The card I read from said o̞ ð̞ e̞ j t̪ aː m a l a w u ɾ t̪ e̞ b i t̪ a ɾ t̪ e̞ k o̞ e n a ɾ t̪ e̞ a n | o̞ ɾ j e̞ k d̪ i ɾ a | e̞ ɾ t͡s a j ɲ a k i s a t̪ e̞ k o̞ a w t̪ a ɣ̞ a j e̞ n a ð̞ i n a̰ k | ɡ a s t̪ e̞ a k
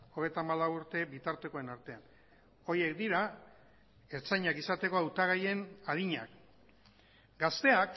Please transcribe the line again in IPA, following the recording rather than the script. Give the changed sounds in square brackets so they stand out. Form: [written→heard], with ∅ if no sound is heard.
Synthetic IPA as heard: o̞ [ð̞→ɣ̞] e̞ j t̪ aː m a l a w u ɾ t̪ e̞ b i t̪ a ɾ t̪ e̞ k o̞ e n a ɾ t̪ e̞ a n | o̞ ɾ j e̞ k d̪ i ɾ a | e̞ ɾ t͡s a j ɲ a k i s a t̪ e̞ k o̞ a w t̪ a ɣ̞ a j e̞ n a ð̞ i [n→ɲ] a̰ k | ɡ a s t̪ e̞ a k